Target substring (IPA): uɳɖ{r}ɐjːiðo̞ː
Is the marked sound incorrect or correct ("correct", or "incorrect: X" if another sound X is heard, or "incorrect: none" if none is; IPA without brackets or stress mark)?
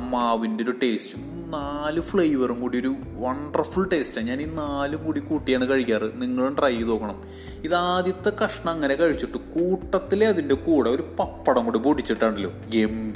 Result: correct